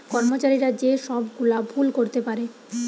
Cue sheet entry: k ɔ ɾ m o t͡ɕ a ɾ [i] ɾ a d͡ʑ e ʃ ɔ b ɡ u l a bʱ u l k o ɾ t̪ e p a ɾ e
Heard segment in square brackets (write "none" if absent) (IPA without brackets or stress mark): i